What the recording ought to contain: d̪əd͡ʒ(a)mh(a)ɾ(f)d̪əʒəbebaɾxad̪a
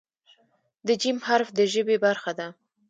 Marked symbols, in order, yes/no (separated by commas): no, yes, yes